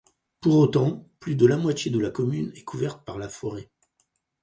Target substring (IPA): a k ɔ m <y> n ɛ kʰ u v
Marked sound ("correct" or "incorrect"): correct